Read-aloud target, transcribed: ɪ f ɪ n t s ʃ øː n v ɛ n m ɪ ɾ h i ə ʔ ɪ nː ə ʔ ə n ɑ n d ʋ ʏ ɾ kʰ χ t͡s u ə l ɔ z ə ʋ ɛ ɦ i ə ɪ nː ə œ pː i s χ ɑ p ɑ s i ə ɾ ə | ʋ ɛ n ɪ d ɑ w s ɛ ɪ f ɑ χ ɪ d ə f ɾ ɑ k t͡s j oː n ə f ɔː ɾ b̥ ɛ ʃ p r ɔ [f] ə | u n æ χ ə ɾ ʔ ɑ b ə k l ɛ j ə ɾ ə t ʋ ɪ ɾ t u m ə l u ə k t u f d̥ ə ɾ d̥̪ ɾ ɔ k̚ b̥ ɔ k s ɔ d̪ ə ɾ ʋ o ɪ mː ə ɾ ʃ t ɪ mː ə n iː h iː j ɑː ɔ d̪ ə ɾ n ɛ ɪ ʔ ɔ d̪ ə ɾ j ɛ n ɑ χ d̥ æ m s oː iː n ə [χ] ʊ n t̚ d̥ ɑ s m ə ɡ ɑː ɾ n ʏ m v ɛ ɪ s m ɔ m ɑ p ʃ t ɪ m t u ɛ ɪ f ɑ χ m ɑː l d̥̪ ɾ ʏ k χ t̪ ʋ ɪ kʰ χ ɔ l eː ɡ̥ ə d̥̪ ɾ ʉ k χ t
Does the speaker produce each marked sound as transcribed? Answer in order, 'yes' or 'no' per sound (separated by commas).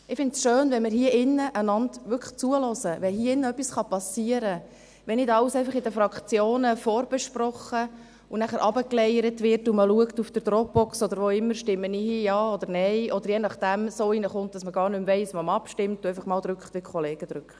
no, yes